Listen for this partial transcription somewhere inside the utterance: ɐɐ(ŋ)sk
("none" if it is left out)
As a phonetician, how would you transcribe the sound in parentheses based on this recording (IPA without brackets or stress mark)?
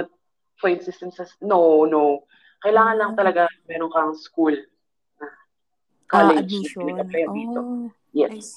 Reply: ŋ